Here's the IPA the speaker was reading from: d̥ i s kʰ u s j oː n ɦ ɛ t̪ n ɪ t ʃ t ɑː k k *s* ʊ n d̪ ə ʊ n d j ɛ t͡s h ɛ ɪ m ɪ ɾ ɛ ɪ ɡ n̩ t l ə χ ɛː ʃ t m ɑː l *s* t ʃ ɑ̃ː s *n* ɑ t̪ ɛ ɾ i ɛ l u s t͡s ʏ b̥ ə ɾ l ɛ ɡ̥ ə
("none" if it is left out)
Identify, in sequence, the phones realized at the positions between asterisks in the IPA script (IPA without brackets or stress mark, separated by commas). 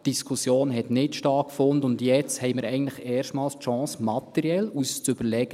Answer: f, s, m